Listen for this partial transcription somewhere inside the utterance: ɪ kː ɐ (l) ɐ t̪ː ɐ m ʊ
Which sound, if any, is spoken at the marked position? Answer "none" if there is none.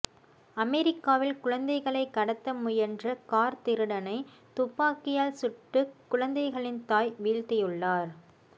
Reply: ɽ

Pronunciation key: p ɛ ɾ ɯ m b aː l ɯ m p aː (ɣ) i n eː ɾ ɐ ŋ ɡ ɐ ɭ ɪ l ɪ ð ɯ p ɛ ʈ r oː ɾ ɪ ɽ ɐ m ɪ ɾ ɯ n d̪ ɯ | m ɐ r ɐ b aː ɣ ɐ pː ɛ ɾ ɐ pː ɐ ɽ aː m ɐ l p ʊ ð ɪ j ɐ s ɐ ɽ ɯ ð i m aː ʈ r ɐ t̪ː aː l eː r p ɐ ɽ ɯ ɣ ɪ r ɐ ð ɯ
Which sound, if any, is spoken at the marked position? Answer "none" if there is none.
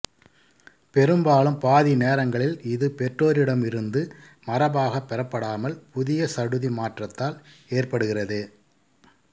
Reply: ð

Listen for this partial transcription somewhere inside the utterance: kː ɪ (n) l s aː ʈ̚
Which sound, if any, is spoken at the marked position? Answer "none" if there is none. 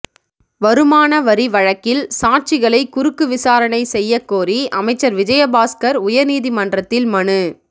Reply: none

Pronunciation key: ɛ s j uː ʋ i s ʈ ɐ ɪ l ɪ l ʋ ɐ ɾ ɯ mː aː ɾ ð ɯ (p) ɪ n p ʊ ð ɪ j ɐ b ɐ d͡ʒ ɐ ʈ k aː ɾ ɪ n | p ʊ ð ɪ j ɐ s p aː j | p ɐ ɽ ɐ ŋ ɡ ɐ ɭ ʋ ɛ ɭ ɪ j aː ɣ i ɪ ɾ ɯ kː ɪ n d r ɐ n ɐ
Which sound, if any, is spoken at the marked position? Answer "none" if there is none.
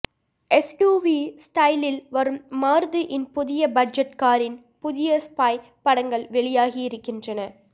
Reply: ʔ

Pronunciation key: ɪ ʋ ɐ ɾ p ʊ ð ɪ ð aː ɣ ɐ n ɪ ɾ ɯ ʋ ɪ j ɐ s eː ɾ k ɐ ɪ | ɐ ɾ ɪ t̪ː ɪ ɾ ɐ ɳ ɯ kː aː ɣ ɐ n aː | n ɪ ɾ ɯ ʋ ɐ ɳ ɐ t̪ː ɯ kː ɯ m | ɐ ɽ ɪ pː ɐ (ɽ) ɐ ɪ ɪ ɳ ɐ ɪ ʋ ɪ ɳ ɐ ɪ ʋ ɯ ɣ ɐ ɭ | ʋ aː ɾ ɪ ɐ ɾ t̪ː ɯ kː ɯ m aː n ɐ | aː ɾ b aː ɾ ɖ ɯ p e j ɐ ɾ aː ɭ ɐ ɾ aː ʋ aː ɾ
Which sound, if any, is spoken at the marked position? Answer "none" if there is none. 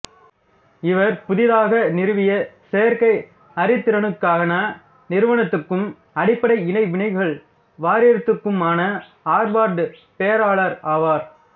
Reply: ɽ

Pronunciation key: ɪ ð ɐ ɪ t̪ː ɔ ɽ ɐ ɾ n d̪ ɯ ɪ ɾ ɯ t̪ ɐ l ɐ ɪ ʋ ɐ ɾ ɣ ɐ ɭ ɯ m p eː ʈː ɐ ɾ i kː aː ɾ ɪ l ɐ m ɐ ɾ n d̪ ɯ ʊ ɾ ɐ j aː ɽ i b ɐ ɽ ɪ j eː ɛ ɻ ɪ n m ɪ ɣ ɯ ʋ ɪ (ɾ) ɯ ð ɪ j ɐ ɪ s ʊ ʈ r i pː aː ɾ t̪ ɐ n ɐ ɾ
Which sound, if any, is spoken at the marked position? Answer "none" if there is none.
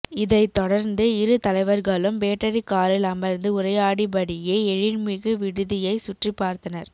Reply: ɽ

